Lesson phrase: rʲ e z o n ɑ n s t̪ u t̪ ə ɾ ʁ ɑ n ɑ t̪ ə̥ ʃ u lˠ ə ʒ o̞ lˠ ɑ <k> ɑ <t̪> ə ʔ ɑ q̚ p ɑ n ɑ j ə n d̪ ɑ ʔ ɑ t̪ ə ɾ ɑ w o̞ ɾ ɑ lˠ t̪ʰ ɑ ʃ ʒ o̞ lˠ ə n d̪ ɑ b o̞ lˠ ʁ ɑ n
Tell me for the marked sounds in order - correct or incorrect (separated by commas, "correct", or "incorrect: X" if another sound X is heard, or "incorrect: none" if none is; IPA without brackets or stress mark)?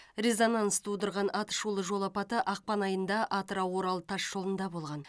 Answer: incorrect: p, correct